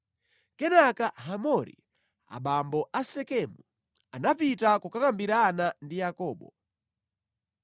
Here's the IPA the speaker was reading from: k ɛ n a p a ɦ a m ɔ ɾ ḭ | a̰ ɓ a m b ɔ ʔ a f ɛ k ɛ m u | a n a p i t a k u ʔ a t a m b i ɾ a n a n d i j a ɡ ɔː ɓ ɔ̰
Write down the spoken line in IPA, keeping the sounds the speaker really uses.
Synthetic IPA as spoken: k ɛ n a k a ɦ a m ɔ ɾ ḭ | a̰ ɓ a m b ɔ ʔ a s ɛ k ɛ m u | a n a p i t a k u k a k a m b i ɾ a n a n d i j a k ɔː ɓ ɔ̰